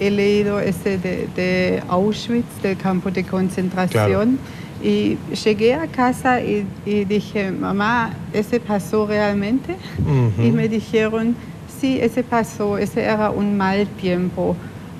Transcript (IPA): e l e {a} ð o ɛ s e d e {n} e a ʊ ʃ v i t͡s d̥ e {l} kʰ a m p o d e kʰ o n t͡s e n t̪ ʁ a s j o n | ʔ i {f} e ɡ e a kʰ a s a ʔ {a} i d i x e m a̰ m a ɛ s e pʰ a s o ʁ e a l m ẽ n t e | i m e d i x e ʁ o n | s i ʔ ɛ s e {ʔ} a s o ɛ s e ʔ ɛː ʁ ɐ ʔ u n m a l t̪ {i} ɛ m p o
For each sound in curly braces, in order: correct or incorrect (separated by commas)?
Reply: incorrect, incorrect, correct, incorrect, incorrect, incorrect, incorrect